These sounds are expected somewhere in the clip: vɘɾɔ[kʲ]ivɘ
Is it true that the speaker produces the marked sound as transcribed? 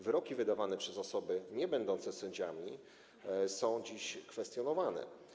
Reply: yes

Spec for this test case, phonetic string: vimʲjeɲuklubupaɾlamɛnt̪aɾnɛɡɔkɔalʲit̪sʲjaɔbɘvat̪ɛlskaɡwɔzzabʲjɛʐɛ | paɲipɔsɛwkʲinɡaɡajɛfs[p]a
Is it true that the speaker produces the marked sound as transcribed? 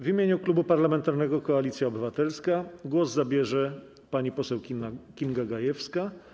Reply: no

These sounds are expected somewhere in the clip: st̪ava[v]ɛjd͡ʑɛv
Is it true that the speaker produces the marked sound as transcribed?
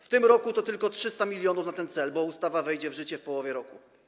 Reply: yes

